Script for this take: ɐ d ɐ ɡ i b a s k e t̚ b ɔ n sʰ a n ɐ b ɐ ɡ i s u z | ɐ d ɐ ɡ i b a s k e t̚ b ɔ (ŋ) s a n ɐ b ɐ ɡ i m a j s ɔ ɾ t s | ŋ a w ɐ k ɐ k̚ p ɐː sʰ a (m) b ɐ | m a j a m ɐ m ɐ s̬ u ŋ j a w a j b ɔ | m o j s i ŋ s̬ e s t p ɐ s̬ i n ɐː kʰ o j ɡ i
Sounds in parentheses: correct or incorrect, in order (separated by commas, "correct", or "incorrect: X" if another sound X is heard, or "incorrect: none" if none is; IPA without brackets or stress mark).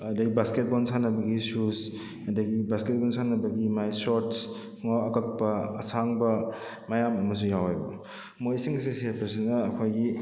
incorrect: n, incorrect: ŋ